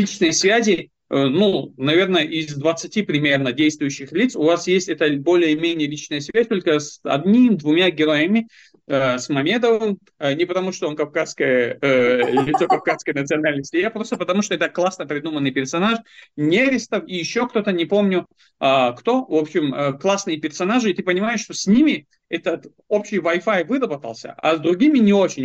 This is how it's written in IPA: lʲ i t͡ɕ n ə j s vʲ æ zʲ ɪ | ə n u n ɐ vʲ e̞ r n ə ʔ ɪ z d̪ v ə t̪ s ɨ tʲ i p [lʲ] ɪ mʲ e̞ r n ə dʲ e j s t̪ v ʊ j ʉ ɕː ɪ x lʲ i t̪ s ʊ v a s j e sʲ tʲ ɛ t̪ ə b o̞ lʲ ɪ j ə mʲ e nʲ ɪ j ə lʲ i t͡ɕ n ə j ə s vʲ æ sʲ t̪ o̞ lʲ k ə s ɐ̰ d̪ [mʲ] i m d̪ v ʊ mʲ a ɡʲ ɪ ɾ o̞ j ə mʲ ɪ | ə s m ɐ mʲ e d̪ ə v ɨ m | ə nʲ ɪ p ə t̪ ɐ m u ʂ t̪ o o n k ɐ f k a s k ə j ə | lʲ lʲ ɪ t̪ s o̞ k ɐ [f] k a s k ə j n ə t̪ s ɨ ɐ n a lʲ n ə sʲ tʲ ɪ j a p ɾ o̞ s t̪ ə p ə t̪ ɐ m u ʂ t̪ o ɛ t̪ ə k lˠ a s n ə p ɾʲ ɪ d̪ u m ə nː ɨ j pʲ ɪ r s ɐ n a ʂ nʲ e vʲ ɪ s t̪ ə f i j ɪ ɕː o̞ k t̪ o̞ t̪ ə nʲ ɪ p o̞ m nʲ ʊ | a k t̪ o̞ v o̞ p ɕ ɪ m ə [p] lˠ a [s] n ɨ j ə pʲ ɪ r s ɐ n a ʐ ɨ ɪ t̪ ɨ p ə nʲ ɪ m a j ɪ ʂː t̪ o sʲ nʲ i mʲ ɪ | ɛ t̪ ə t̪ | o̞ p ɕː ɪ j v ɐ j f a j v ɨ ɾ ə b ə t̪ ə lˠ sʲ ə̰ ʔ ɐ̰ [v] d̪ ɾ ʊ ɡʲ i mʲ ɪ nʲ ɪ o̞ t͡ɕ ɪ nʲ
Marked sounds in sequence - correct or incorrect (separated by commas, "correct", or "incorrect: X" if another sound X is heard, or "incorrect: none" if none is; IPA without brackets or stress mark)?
incorrect: ɾʲ, incorrect: nʲ, correct, incorrect: k, correct, incorrect: z